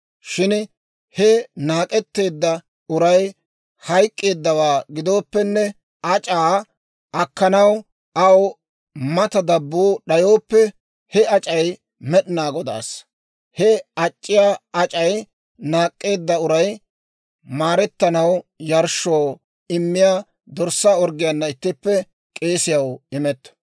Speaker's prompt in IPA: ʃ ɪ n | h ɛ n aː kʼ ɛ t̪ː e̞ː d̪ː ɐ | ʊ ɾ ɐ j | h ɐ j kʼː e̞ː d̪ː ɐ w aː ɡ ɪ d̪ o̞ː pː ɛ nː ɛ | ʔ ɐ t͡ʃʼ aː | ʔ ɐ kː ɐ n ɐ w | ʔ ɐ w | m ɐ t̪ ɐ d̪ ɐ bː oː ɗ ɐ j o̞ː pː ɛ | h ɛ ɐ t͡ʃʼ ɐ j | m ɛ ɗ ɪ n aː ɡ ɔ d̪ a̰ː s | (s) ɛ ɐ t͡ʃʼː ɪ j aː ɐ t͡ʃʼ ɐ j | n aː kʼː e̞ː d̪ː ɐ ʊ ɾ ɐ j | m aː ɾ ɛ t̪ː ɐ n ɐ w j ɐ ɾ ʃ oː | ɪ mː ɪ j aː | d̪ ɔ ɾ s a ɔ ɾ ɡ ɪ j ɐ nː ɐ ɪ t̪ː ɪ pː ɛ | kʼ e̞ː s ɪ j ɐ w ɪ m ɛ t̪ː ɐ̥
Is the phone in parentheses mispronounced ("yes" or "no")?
yes